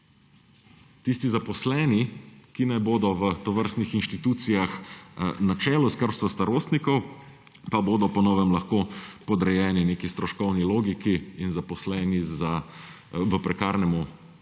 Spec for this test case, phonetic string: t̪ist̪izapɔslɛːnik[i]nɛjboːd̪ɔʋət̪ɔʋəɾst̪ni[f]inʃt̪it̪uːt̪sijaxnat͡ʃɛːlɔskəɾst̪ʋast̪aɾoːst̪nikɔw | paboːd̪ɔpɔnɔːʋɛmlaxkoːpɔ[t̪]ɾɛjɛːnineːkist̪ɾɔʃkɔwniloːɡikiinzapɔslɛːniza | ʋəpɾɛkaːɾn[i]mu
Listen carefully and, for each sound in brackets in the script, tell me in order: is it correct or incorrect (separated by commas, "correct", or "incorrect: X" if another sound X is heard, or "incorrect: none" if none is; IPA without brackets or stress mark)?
correct, incorrect: x, incorrect: d̪, incorrect: ɛ